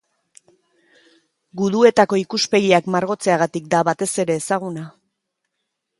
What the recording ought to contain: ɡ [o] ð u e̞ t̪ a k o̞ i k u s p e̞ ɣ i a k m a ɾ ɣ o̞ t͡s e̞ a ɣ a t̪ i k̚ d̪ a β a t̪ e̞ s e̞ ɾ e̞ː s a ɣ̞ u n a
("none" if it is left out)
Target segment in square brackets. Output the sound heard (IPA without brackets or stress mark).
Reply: u